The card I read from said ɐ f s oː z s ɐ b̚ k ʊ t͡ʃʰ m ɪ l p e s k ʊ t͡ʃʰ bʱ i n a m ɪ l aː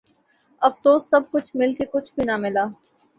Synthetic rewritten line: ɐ f s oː s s ɐ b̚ k ʊ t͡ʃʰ m ɪ l k e k ʊ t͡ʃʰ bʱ i n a m ɪ l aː